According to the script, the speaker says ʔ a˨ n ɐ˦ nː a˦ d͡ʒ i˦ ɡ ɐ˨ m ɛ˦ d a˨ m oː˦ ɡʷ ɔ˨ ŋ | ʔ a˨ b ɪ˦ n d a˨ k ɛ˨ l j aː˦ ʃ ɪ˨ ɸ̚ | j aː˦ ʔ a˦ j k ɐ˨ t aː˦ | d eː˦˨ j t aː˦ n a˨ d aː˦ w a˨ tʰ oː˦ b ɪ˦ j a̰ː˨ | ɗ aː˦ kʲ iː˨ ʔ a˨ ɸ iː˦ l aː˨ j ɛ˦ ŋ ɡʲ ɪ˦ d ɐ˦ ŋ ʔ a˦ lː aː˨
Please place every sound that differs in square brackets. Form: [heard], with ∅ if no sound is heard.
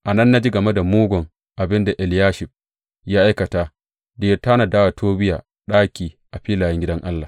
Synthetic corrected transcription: ʔ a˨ n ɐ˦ nː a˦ d͡ʒ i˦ ɡ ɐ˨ m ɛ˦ d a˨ m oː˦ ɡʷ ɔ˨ ŋ | ʔ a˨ b ɪ˦ n d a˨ [ʔ] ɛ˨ l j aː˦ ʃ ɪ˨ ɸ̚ | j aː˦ ʔ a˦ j k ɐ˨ t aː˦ | d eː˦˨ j t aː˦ n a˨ d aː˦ w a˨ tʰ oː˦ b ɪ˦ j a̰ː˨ | ɗ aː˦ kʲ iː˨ ʔ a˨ ɸ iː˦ l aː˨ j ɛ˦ ŋ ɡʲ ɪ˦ d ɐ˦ ŋ ʔ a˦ lː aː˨